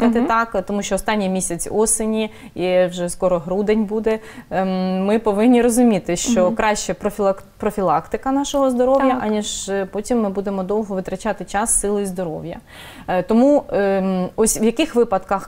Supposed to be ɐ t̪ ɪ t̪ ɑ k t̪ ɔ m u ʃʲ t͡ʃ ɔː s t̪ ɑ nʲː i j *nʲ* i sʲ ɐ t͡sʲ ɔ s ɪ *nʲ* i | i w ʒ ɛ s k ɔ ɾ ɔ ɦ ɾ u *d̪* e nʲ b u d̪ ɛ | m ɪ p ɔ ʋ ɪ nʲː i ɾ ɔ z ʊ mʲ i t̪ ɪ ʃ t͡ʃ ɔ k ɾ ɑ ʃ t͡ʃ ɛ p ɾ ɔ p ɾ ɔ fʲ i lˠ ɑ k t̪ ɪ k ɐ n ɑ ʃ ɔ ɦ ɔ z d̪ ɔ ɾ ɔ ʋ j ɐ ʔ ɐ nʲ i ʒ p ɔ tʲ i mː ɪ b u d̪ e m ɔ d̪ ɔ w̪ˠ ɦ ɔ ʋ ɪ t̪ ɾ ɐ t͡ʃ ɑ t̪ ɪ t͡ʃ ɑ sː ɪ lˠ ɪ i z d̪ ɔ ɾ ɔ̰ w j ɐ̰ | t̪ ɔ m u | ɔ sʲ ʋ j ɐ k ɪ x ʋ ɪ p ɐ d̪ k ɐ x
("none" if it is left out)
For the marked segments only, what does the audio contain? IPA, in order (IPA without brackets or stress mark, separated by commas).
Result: mʲ, nʲ, d̪